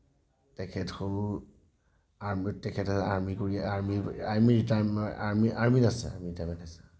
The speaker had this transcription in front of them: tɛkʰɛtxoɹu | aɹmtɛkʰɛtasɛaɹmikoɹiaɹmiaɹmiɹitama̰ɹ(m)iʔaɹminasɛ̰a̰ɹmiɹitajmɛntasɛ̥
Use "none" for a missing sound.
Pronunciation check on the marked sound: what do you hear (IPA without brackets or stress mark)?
m